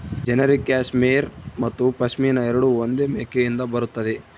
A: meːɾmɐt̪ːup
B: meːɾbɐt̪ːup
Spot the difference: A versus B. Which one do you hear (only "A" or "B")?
A